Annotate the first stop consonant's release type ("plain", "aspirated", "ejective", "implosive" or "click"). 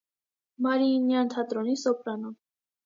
aspirated